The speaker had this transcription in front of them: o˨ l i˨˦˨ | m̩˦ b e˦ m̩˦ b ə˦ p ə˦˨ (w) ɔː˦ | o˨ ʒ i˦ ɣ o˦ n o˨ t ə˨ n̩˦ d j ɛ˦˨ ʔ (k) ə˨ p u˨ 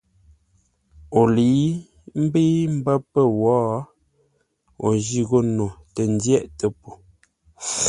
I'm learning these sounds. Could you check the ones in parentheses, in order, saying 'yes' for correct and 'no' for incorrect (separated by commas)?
yes, no